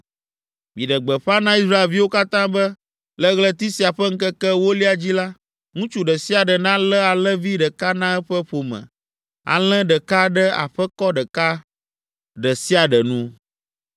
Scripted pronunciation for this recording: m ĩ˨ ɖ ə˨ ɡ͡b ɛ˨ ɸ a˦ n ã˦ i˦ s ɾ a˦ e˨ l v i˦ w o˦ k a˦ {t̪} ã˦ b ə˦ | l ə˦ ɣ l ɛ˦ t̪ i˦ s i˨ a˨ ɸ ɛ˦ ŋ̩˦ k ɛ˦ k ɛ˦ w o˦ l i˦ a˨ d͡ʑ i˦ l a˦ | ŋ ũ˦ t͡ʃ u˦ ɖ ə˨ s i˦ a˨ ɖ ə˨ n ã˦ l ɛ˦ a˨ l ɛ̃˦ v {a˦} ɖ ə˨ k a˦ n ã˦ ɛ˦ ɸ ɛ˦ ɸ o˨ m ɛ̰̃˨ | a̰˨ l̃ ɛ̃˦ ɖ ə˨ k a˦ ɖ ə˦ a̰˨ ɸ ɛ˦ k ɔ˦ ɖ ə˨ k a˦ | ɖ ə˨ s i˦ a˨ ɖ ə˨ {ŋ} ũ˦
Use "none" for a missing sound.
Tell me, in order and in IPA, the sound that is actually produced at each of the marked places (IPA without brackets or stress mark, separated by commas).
t̪, i˦, n